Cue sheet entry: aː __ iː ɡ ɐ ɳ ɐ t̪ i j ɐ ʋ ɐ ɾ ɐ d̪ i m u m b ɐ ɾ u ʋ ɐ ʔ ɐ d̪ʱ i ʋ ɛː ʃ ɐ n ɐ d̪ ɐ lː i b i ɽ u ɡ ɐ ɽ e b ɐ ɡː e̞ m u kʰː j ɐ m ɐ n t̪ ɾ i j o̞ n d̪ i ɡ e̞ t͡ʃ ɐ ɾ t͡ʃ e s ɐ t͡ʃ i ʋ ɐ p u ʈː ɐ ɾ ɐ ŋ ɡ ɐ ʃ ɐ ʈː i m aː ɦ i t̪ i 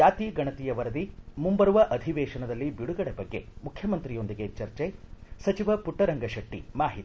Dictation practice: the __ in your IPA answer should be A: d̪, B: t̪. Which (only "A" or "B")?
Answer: B